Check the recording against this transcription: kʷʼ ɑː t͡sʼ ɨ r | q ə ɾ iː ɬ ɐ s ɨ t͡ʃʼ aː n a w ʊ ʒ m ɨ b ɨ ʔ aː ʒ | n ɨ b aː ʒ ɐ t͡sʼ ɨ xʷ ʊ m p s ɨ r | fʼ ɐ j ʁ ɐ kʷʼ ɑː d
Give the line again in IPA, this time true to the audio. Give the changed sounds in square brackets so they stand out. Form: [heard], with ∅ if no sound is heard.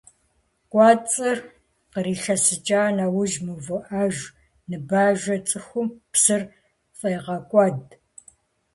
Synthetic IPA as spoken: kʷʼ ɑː t͡sʼ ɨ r | q ə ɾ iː ɬ ɐ s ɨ t͡ʃʼ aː n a w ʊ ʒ m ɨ [v] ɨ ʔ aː ʒ | n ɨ b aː ʒ ɐ t͡sʼ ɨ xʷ ʊ m p s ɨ r | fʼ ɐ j ʁ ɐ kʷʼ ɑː d